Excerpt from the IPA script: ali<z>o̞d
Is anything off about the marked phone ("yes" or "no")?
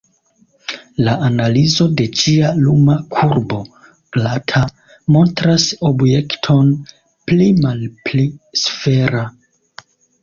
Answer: no